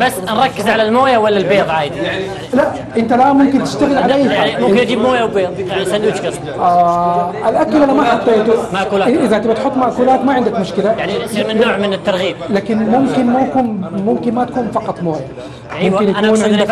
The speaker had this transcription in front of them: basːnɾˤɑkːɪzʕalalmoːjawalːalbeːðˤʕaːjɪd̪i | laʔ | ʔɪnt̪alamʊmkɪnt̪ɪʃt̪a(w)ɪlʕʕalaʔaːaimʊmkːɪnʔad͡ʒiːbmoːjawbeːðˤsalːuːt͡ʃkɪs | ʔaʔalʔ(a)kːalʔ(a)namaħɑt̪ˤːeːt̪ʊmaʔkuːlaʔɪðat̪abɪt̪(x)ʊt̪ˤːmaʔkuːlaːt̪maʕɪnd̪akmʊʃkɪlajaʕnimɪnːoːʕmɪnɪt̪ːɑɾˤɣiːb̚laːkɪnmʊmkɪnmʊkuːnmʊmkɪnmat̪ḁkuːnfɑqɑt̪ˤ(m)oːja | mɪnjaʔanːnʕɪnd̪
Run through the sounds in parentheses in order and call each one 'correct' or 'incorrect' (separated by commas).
incorrect, correct, correct, incorrect, correct